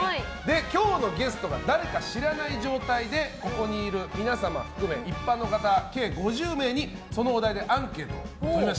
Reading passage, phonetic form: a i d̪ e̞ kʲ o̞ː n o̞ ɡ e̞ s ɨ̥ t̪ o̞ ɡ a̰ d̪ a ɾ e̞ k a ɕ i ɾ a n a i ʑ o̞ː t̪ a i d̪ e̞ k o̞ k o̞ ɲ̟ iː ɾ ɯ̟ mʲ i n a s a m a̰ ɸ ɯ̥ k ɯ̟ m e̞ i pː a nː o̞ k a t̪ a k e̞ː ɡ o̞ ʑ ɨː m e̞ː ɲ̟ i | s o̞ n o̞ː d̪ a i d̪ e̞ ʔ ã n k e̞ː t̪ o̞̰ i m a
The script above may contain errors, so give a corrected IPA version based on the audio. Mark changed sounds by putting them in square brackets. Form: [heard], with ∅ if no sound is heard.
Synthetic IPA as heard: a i d̪ e̞ kʲ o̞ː n o̞ ɡ e̞ s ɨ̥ t̪ o̞ ɡ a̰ d̪ a ɾ e̞ k a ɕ i ɾ a n a i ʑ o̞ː t̪ a i d̪ e̞ k o̞ k o̞ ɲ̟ iː ɾ ɯ̟ mʲ i n a s a m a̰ ɸ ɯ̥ k ɯ̟ m e̞ i pː a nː o̞ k a t̪ a k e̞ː ɡ o̞ ʑ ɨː m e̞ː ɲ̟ i | s o̞ n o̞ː d̪ a i d̪ e̞ ʔ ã [ŋ] k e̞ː t̪ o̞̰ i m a